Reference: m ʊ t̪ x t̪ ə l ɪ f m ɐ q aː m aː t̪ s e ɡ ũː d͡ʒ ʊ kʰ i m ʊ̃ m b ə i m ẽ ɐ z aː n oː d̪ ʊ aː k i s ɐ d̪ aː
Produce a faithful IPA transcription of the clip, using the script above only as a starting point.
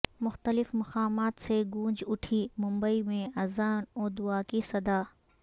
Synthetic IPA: m ʊ x t̪ ə l ɪ f m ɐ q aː m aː t̪ s e ɡ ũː d͡ʒ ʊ ʈʰ i m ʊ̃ m b ə i m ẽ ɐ z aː n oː d̪ ʊ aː k i s ɐ d̪ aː